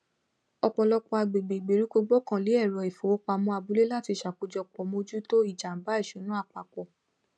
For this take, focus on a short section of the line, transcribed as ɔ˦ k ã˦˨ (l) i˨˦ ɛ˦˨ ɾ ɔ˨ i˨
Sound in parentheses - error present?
no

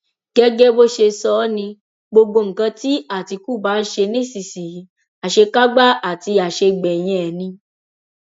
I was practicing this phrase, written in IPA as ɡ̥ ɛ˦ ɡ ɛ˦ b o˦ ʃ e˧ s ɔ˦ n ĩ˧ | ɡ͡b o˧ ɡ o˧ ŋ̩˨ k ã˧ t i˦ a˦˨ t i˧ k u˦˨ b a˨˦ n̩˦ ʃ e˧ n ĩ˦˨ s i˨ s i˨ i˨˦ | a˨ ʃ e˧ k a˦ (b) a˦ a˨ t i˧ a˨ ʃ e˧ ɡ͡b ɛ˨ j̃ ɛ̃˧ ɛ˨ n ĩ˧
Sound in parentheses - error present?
yes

